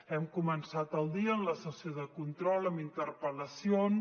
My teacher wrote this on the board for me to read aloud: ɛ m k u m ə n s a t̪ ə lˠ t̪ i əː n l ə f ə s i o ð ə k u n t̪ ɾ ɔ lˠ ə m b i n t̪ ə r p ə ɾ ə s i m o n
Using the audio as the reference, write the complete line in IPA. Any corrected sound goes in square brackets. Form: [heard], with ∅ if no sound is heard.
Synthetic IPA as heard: ɛ m k u m ə n s a t̪ ə lˠ [d̪] i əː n l ə [s] ə s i o ð ə k u n t̪ ɾ ɔ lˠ ə m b i n t̪ ə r p ə [l] ə s i [∅] o n